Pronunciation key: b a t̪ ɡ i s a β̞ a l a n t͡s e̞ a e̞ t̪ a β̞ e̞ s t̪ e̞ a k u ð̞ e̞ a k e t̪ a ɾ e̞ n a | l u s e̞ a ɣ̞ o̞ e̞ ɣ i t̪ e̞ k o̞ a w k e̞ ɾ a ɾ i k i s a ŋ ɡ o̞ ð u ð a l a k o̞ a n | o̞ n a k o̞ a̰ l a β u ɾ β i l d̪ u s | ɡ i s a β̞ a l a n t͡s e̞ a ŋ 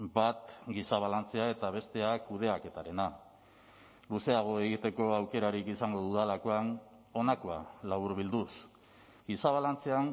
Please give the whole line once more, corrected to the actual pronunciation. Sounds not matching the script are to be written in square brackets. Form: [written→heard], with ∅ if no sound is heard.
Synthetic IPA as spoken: b a t̪ ɡ i s a β̞ a l a n t͡s e̞ a e̞ t̪ a β̞ e̞ s t̪ e̞ a k u ð̞ e̞ a k e t̪ a ɾ e̞ n a | l u s e̞ a ɣ̞ o̞ e̞ ɣ i t̪ e̞ k o̞ a w k e̞ ɾ a ɾ i k i s a ŋ ɡ o̞ ð u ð a l a k o̞ a n | o̞ n a k o̞ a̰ l a β u ɾ β i l d̪ u s | ɡ i s a β̞ a l a n t͡s e̞ a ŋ